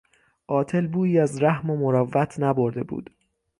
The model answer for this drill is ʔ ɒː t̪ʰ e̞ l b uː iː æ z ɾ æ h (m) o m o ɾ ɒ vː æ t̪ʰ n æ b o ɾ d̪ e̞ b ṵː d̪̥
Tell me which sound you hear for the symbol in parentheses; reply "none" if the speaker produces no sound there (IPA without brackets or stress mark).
m